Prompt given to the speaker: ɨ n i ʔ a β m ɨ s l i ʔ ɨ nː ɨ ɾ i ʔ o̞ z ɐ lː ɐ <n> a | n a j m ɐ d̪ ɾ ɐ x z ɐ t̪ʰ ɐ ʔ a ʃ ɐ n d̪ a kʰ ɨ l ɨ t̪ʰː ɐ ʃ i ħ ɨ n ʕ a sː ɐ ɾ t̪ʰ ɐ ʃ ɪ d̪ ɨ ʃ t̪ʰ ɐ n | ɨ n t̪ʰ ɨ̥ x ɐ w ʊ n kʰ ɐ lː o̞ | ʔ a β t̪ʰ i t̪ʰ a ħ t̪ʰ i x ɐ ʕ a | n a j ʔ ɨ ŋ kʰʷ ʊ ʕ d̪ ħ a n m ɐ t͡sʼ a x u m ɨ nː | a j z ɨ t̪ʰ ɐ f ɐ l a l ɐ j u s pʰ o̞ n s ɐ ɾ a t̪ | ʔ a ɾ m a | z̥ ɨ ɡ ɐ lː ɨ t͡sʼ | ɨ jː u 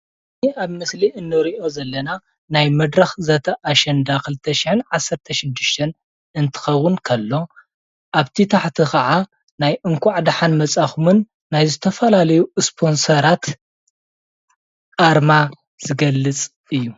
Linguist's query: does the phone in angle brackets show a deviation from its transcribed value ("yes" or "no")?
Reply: no